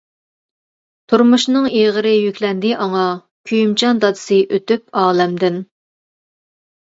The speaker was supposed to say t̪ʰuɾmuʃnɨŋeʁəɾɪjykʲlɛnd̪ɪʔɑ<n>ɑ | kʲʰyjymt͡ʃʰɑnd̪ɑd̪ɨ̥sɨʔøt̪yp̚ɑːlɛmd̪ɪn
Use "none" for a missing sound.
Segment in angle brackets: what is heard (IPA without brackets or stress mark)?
ŋ